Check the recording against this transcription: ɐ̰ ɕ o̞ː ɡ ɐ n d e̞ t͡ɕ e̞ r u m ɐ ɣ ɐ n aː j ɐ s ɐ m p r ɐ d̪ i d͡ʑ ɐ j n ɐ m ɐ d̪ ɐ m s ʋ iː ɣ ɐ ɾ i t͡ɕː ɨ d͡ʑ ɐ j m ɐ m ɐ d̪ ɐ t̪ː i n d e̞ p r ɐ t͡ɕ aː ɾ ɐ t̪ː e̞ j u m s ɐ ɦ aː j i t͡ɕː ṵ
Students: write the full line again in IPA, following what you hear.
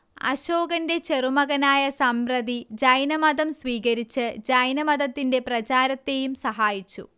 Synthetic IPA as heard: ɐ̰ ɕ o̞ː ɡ ɐ n d e̞ t͡ɕ e̞ r u m ɐ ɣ ɐ n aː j ɐ s ɐ m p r ɐ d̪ i d͡ʑ ɐ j n ɐ m ɐ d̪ ɐ m s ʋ iː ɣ ɐ ɾ i t͡ɕː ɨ d͡ʑ ɐ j n ɐ m ɐ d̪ ɐ t̪ː i n d e̞ p r ɐ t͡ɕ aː ɾ ɐ t̪ː e̞ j u m s ɐ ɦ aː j i t͡ɕː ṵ